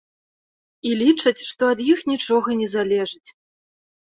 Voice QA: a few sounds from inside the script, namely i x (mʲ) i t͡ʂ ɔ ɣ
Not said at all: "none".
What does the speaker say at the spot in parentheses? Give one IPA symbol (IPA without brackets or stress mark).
nʲ